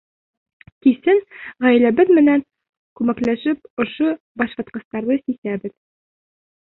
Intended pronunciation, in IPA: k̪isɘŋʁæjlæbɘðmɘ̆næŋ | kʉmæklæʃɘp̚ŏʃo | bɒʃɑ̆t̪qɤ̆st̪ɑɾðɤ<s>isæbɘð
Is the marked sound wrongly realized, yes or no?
no